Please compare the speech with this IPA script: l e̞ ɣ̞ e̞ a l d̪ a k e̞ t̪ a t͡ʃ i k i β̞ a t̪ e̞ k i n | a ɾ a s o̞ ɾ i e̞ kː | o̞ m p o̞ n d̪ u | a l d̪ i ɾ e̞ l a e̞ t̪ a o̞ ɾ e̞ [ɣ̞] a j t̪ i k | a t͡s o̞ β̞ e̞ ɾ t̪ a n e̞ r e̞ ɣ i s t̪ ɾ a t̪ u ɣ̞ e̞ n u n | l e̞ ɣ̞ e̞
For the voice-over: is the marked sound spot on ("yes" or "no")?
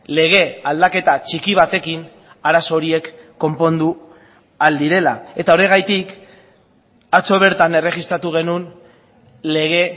yes